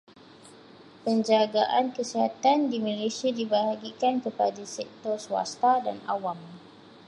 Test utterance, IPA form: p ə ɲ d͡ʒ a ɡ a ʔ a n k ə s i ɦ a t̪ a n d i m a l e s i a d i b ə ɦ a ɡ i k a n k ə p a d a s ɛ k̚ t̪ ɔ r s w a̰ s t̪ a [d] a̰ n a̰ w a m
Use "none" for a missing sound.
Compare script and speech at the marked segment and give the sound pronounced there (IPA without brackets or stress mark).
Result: d